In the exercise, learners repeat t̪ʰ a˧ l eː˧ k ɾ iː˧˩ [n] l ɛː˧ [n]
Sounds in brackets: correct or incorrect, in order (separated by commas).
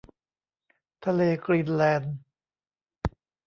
correct, correct